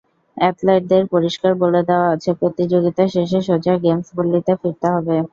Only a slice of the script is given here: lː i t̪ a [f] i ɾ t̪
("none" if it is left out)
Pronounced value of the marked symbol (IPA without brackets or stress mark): f